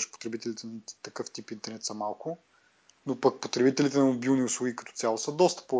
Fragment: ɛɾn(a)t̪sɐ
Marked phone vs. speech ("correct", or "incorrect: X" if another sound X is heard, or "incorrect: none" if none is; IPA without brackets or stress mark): incorrect: ɛ